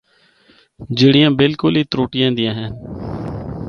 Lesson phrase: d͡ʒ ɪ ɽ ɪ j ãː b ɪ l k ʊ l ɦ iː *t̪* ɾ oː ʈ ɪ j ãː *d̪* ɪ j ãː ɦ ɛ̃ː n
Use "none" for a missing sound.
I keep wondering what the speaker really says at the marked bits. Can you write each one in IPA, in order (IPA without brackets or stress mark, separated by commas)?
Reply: t̪, d̪